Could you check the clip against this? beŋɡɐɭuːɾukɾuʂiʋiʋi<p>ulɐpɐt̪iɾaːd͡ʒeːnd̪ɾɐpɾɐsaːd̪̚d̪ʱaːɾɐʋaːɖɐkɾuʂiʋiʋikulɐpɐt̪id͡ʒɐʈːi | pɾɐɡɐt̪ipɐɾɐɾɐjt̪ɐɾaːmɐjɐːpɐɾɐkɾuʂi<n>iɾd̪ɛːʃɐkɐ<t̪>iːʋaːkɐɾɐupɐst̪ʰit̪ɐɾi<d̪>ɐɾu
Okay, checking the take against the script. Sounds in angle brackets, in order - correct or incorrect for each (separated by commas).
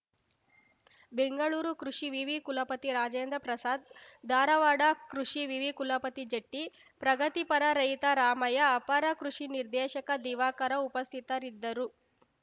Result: incorrect, correct, incorrect, incorrect